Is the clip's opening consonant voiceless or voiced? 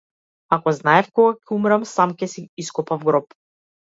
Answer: voiceless